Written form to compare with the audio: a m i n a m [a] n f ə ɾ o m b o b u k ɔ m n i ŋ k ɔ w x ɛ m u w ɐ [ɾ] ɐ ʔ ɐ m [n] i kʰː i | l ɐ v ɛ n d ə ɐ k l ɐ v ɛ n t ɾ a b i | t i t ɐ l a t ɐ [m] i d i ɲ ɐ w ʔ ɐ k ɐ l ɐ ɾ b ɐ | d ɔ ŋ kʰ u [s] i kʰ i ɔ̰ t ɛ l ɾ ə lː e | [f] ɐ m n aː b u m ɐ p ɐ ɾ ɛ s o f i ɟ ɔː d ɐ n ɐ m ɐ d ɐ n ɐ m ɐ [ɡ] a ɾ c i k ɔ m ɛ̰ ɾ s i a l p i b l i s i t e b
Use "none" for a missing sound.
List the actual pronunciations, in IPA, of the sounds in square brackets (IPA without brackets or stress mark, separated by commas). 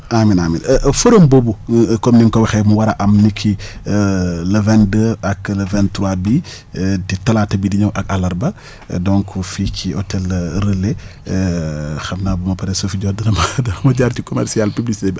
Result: i, ɾ, n, b, f, x, ɟ